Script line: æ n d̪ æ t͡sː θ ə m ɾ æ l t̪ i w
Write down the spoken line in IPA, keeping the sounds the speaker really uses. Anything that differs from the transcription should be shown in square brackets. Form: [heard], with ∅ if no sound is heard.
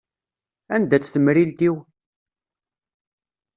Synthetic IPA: æ n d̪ æ t͡sː θ ə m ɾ [i] l t̪ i w